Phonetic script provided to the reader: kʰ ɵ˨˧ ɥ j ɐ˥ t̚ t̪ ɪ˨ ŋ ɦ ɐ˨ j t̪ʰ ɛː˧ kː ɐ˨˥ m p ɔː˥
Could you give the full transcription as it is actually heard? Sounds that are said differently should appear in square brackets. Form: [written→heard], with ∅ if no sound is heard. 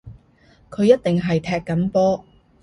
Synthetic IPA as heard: kʰ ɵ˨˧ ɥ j ɐ˥ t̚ t̪ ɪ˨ ŋ ɦ ɐ˨ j t̪ʰ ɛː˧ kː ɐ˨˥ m p ɔː˥